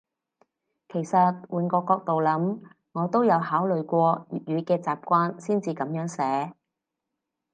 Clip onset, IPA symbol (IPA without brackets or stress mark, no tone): kʰ